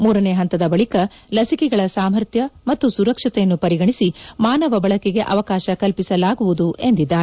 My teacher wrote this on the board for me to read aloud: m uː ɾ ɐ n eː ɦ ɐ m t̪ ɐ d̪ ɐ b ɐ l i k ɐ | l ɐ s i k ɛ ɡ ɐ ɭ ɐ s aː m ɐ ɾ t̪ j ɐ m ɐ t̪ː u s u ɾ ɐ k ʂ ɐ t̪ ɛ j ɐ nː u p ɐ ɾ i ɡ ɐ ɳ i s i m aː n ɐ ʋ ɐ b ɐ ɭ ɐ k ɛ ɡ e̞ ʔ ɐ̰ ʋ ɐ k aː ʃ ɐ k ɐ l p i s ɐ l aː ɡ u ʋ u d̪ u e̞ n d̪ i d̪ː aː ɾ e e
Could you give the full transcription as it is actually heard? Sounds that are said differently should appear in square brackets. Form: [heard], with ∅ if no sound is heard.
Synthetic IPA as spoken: m uː ɾ ɐ n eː ɦ ɐ [n] t̪ ɐ d̪ ɐ b ɐ [ɭ] i k ɐ | l ɐ s i k ɛ ɡ ɐ ɭ ɐ s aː m ɐ ɾ t̪ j ɐ m ɐ t̪ː u s u ɾ ɐ k ʂ ɐ t̪ ɛ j ɐ nː u p ɐ ɾ i ɡ ɐ ɳ i s i m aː n ɐ ʋ ɐ b ɐ ɭ ɐ k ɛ ɡ e̞ ʔ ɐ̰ ʋ ɐ k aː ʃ ɐ k ɐ l p i s ɐ l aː ɡ u ʋ u d̪ u e̞ n d̪ i d̪ː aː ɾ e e